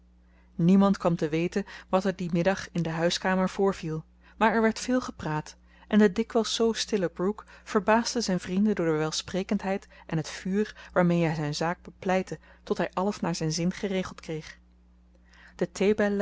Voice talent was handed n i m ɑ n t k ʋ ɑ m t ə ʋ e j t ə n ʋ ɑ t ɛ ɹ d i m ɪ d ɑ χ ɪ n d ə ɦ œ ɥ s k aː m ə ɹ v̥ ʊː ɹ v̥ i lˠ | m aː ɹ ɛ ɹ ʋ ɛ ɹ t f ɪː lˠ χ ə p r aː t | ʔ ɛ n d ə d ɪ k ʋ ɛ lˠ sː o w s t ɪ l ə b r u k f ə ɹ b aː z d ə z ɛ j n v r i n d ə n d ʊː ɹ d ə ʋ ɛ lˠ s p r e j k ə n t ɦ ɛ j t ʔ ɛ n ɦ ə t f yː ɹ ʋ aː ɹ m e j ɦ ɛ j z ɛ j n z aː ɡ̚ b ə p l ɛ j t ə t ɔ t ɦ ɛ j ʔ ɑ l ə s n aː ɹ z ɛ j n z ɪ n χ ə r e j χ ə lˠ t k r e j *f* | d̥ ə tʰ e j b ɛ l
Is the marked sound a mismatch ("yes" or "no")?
yes